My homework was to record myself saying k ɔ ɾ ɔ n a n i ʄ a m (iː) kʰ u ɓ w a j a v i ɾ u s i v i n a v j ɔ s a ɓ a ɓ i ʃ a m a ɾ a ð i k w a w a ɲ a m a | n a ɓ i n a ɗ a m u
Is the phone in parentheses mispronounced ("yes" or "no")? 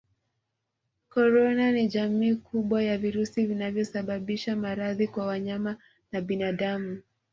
no